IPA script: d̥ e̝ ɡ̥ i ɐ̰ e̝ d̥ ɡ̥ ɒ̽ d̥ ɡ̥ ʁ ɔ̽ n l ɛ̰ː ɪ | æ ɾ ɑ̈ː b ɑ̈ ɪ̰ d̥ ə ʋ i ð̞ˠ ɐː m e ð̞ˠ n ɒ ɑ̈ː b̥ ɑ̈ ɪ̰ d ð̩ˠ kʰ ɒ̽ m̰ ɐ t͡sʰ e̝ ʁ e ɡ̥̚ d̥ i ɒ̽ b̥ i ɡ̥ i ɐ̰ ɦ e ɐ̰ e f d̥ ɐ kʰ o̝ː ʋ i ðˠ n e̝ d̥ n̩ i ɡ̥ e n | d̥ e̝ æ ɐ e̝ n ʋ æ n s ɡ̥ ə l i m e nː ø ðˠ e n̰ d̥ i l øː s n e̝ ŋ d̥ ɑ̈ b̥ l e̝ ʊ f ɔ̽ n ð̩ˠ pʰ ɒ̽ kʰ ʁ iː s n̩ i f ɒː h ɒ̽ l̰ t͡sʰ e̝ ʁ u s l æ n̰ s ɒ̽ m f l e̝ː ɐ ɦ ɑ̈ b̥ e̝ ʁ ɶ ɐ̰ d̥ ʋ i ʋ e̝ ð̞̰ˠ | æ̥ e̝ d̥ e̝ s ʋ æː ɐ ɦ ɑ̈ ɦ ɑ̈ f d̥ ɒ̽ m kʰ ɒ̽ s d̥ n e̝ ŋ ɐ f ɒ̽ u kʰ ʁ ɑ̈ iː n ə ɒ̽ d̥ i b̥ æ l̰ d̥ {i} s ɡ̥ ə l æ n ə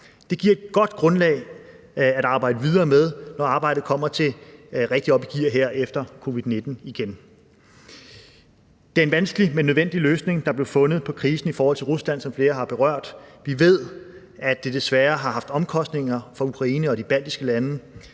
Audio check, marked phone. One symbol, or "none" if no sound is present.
i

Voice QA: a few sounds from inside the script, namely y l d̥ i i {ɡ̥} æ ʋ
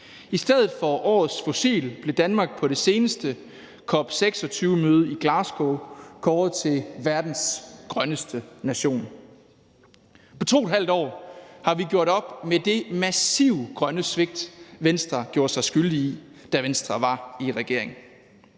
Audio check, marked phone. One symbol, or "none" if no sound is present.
d̥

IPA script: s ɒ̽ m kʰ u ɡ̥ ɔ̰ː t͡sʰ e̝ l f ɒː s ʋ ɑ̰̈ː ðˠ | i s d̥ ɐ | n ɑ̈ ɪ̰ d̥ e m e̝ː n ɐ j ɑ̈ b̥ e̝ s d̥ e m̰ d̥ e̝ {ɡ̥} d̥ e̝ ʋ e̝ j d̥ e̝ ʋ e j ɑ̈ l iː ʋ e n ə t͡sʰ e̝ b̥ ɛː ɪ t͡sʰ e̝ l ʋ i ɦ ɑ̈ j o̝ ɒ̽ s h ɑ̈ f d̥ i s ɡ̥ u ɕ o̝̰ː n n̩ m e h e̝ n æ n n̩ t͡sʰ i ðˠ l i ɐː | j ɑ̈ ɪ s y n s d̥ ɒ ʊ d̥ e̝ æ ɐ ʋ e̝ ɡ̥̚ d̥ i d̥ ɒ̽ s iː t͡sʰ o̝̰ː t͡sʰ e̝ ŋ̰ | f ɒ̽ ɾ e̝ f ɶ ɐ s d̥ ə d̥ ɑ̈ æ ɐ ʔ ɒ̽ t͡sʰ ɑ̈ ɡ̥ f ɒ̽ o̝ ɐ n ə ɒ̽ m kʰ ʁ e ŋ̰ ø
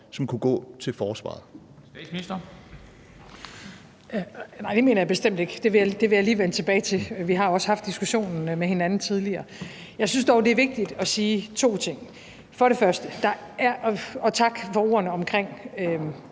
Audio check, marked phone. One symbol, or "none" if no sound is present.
ɡ̥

